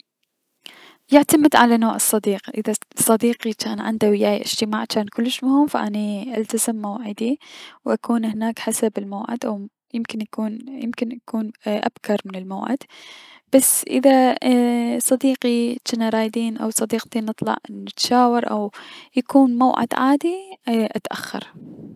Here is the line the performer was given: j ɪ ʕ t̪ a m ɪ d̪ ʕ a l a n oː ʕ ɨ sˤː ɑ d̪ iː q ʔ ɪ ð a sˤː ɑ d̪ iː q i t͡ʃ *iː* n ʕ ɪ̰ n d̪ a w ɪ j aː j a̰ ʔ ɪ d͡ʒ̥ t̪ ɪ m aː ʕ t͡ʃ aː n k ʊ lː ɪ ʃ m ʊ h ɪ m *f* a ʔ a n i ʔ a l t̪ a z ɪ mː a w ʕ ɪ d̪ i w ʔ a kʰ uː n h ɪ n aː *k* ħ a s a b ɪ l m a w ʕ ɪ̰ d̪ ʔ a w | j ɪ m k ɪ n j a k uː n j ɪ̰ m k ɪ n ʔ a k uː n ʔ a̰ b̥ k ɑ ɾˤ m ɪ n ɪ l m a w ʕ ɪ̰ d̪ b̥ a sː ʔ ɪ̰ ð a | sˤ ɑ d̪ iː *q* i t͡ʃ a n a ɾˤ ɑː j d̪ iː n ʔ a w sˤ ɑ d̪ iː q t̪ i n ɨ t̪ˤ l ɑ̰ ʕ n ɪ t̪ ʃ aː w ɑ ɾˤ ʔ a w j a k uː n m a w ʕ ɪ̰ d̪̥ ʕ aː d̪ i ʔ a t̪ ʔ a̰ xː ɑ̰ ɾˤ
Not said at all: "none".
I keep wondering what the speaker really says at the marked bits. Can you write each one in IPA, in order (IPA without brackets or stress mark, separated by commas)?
aː, f, k, q